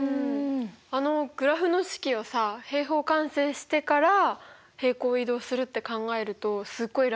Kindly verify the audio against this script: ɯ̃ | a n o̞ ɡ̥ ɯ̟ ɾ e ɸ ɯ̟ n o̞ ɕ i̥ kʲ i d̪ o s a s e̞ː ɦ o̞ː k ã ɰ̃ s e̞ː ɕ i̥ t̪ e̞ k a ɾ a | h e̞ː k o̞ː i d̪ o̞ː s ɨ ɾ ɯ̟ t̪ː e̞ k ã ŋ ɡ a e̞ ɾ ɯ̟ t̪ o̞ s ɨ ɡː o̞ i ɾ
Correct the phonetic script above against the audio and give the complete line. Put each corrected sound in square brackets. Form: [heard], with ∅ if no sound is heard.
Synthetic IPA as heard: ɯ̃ | a n o̞ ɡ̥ ɯ̟ ɾ [a] ɸ ɯ̟ n o̞ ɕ i̥ kʲ i [∅] o s a [h] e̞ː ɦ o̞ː k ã ɰ̃ s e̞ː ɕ i̥ t̪ e̞ k a ɾ a | h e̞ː k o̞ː i d̪ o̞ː s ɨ ɾ ɯ̟ t̪ː e̞ k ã ŋ ɡ a e̞ ɾ ɯ̟ t̪ o̞ s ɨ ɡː o̞ i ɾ